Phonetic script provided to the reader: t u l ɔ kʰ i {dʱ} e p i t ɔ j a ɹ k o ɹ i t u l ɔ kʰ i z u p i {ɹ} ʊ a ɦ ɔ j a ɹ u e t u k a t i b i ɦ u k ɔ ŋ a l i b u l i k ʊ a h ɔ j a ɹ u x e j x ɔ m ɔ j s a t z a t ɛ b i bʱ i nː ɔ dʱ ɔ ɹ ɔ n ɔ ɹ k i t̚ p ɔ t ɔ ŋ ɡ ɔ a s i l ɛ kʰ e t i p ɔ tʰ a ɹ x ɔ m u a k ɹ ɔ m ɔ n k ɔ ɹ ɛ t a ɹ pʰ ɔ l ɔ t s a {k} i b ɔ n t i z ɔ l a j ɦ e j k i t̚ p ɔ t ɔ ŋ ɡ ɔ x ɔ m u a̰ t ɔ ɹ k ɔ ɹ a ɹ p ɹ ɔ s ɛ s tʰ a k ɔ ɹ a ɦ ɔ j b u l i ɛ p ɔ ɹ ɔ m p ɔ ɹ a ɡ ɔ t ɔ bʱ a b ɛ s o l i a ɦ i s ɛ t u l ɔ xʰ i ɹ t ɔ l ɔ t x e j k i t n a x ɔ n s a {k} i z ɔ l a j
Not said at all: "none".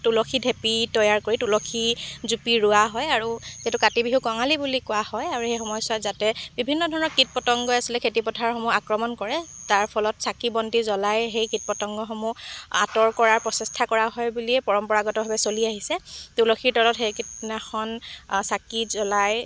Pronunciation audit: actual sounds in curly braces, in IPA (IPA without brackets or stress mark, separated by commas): dʱ, ɹ, k, k